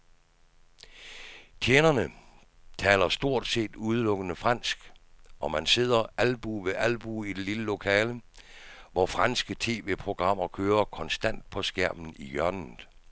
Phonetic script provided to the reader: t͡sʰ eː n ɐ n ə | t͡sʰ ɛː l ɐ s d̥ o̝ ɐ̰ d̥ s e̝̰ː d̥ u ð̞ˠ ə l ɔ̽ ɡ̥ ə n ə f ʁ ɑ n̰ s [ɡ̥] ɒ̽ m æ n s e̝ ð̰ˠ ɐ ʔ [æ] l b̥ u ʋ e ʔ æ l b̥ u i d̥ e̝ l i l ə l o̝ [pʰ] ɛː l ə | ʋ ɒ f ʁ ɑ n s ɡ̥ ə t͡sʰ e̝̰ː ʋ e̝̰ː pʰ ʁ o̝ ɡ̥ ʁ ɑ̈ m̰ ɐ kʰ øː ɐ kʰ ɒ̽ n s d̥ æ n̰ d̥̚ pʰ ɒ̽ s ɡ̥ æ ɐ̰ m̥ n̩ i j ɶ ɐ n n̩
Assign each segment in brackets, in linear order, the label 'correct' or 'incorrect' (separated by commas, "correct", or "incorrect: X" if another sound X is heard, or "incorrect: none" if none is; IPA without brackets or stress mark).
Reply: correct, correct, incorrect: kʰ